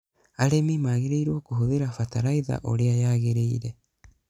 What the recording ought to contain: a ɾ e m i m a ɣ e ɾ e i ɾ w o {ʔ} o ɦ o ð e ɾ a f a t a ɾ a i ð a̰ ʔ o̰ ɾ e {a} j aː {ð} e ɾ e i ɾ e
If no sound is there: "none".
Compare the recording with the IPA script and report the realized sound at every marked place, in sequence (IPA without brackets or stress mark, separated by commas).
k, a, ɣ